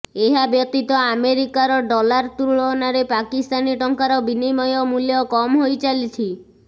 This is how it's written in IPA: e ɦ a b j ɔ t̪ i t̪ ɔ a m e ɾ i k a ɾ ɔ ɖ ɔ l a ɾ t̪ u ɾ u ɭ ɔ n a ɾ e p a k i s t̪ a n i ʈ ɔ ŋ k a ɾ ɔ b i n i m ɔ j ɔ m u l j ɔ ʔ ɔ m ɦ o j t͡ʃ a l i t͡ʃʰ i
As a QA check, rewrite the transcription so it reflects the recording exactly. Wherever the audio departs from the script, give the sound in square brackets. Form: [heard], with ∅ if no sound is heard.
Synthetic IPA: e ɦ a b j ɔ t̪ i t̪ ɔ a m e ɾ i k a ɾ ɔ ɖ ɔ l a ɾ t̪ u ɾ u ɭ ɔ n a ɾ e p a k i s t̪ a n i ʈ ɔ ŋ k a ɾ ɔ b i n i m ɔ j ɔ m u l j ɔ [k] ɔ m ɦ o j t͡ʃ a l i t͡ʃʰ i